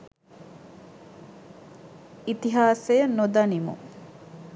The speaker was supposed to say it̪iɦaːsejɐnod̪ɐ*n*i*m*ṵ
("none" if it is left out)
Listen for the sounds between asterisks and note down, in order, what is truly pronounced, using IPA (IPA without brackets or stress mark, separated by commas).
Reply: n, m